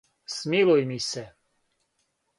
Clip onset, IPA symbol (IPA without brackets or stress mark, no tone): s